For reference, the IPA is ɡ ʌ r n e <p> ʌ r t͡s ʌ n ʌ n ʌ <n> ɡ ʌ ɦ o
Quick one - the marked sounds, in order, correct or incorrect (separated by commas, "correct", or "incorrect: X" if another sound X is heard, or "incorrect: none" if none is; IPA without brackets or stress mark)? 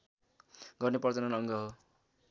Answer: correct, incorrect: ŋ